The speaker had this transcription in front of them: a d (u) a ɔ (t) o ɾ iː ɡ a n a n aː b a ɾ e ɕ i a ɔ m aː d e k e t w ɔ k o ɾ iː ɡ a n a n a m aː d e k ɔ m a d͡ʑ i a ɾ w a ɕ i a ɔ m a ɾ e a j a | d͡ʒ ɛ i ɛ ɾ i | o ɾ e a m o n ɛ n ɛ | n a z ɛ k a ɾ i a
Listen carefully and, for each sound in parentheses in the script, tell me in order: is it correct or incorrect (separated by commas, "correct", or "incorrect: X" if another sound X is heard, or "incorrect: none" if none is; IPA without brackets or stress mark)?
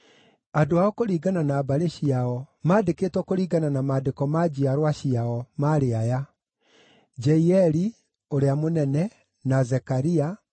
incorrect: o, incorrect: k